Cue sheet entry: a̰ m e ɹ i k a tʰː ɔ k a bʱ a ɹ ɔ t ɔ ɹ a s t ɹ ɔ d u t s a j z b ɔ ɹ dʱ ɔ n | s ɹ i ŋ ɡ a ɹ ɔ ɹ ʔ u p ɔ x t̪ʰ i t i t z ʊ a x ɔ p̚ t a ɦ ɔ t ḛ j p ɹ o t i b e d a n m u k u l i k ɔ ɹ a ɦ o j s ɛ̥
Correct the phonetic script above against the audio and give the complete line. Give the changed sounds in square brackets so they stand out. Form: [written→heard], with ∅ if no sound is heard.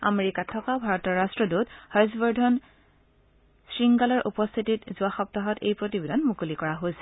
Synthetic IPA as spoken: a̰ m e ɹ i k a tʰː ɔ k a bʱ a ɹ ɔ t ɔ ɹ a s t ɹ ɔ d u t [s→h] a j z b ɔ ɹ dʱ ɔ n | s ɹ i ŋ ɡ a [ɹ→l] ɔ ɹ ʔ u p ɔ [x→s] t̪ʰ i t i t z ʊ a x ɔ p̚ t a ɦ ɔ t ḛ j p ɹ o t i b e d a n m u k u l i k ɔ ɹ a ɦ o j s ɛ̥